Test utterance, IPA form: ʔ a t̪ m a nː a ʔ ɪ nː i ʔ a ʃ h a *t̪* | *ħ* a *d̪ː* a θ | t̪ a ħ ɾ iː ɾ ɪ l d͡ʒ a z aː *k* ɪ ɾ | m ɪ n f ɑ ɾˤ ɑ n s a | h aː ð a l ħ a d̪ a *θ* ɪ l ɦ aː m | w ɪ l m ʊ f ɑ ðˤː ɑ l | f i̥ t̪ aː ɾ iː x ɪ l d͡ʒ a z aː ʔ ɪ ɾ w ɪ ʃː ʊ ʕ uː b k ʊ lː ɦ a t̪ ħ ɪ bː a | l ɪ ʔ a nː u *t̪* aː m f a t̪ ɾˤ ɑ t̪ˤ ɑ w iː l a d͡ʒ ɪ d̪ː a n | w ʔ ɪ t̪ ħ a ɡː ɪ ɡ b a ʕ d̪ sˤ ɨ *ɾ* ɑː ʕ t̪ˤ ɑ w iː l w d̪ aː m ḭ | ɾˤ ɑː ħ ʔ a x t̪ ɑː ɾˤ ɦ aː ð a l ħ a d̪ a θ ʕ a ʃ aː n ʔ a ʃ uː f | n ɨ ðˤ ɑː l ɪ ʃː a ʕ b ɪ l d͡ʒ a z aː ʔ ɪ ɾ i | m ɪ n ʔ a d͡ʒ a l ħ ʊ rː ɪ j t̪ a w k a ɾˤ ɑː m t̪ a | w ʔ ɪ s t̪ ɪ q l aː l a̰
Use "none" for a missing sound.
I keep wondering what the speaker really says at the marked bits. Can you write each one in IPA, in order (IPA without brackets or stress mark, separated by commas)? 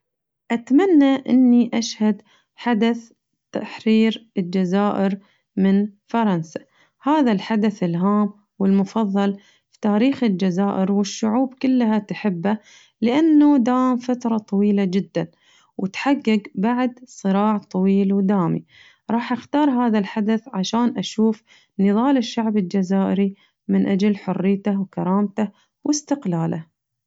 d̪, ħ, d̪, ʔ, θ, d̪, ɾ